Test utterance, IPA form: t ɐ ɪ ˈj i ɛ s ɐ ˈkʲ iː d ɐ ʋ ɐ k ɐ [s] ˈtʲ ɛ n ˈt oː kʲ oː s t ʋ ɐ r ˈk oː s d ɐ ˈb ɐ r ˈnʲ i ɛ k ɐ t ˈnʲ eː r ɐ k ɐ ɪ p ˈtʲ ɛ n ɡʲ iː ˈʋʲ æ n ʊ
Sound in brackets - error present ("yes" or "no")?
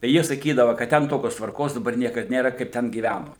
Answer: yes